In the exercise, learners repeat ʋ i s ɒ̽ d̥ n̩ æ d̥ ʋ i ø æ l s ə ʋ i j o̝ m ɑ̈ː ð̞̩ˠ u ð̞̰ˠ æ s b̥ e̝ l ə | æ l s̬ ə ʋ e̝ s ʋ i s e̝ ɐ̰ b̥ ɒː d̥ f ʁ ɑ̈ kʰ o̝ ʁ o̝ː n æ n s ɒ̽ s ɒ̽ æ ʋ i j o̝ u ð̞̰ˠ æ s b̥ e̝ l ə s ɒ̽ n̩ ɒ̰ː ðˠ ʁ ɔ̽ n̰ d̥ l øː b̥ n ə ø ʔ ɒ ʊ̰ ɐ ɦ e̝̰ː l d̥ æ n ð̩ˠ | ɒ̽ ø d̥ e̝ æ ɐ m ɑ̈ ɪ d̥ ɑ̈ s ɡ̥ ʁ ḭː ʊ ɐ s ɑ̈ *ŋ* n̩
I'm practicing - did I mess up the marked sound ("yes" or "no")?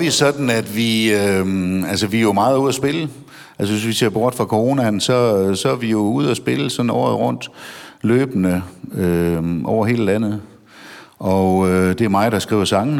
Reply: no